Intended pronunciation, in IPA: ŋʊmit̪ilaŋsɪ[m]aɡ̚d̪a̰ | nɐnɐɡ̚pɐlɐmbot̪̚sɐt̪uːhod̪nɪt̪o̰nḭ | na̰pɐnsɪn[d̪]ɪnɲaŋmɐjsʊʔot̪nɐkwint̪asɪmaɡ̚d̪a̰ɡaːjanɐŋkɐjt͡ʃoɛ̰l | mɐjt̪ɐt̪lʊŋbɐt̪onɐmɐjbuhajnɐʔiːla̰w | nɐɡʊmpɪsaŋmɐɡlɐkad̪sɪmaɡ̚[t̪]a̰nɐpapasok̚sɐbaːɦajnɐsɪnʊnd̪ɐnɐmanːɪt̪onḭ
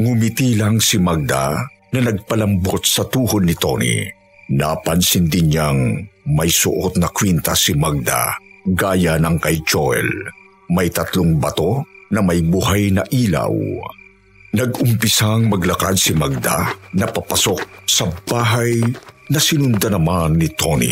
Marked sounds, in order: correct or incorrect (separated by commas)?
correct, correct, incorrect